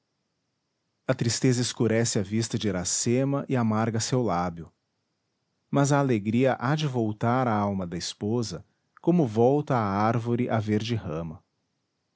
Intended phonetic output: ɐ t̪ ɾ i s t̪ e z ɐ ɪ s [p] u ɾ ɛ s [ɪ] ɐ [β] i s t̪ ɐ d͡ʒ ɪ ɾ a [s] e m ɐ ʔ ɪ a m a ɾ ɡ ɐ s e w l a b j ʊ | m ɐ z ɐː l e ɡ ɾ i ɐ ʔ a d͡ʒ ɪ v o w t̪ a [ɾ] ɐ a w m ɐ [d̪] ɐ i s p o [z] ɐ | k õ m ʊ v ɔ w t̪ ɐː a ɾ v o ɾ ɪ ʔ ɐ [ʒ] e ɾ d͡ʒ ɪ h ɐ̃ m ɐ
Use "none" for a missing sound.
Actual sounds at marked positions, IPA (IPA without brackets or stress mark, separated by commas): k, ɪ, v, s, ɾ, d̪, z, v